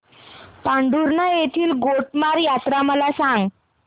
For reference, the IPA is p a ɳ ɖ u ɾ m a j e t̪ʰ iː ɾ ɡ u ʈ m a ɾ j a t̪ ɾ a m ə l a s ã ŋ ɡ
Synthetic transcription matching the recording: p a ɳ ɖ u ɾ n a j e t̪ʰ iː l ɡ o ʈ m a ɾ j a t̪ ɾ a m ə l a s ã ŋ ɡ